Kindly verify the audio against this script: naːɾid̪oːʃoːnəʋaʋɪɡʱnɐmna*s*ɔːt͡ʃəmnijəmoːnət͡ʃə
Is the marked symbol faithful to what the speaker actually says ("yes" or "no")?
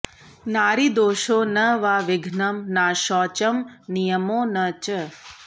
no